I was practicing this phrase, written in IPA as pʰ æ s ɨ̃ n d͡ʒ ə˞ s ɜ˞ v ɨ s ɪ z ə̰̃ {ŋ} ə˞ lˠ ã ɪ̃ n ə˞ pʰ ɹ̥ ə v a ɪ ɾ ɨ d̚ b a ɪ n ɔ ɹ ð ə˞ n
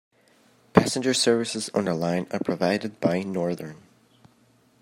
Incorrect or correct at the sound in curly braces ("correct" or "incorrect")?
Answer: incorrect